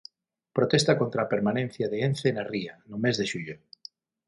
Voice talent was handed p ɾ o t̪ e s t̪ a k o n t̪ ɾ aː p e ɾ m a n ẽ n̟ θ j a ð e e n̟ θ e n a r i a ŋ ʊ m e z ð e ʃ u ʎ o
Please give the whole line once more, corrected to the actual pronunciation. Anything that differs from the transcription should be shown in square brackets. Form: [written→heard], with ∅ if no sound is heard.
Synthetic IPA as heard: p ɾ o t̪ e s t̪ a k o n t̪ ɾ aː p e ɾ m a n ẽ n̟ θ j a ð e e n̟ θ e n a r i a [ŋ→n] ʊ m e z ð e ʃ u ʎ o

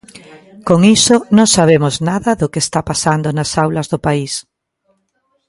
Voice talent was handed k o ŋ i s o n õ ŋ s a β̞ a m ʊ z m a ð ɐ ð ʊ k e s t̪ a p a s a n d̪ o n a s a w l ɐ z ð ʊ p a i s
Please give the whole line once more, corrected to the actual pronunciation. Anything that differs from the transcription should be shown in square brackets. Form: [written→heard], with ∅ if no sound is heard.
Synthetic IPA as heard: k o ŋ i s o n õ ŋ s a β̞ [a→e] m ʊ z [m→n] a ð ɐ ð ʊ k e s t̪ a p a s a n d̪ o n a s a w l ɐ z ð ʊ p a i s

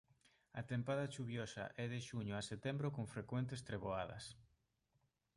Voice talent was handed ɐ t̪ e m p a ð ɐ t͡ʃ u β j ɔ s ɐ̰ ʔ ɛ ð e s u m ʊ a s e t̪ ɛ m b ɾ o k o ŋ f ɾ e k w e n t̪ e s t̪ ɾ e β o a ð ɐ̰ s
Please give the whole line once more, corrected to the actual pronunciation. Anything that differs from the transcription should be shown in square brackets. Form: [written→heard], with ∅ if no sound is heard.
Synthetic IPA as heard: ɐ t̪ e m p a ð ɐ t͡ʃ u β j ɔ s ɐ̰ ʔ ɛ ð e [s→ʃ] u [m→ɲ] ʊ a s e t̪ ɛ m b ɾ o k o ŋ f ɾ e k w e n t̪ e s t̪ ɾ e β o a ð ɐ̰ s

